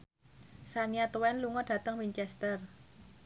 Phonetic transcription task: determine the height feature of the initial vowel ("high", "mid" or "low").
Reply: low